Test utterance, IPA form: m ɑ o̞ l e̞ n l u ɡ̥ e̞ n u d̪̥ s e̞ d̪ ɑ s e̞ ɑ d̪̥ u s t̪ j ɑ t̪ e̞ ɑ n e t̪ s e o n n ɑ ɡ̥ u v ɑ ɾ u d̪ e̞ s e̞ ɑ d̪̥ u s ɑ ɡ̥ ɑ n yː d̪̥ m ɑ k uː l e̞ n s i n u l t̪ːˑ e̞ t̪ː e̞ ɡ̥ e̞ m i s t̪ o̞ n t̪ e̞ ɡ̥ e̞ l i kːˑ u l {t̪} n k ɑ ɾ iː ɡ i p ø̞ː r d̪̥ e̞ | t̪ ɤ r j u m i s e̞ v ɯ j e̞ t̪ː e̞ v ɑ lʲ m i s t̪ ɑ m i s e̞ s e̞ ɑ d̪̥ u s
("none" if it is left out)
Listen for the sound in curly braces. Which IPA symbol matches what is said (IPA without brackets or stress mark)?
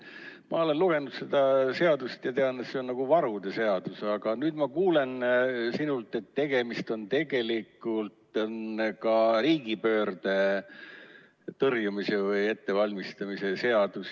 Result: t̪